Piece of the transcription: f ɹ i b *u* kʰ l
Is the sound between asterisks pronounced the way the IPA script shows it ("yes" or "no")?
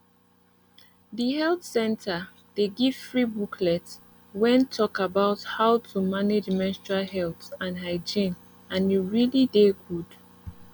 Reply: yes